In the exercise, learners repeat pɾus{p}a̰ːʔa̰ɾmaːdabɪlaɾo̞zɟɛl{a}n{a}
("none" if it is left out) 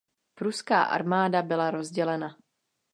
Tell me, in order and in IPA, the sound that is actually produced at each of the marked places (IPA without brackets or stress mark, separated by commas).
k, ɛ, a